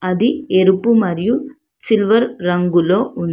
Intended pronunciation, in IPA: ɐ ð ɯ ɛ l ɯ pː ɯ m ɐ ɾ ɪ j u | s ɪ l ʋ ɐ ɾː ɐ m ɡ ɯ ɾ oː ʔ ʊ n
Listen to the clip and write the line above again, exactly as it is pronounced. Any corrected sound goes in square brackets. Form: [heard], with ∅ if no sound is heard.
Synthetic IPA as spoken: ɐ ð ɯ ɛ [ɾ] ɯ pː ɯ m ɐ ɾ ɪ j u | s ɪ l ʋ ɐ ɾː ɐ [ŋ] ɡ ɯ [l] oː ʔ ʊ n